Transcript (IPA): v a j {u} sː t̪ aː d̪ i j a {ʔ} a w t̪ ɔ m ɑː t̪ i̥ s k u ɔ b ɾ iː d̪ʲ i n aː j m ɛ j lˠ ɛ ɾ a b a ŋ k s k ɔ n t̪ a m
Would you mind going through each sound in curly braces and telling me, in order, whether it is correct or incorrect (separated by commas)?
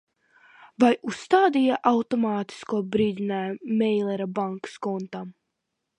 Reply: correct, correct